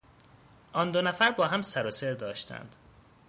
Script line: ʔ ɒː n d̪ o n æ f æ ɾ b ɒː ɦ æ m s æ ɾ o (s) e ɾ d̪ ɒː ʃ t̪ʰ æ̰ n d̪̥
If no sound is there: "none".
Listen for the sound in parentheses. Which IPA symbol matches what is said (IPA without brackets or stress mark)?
s